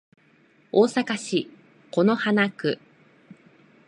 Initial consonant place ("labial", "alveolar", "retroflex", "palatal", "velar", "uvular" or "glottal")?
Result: alveolar